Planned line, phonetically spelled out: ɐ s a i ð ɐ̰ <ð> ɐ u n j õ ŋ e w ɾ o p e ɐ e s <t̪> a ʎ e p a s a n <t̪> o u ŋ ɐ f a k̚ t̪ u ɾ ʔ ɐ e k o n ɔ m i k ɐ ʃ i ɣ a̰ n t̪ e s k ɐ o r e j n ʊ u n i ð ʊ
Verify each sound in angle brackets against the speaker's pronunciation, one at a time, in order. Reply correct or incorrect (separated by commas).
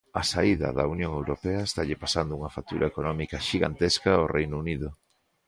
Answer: correct, correct, incorrect